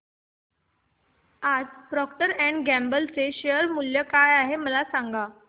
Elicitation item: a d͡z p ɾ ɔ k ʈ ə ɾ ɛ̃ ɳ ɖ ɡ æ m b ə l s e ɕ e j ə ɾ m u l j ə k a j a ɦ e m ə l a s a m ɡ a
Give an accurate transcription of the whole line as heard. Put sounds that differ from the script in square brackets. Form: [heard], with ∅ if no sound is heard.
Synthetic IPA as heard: a d͡z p ɾ ɔ k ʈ ə ɾ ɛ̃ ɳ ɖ ɡ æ m b ə l [t͡s] e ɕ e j ə ɾ m u l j ə k a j a ɦ e m ə l a s a [ŋ] ɡ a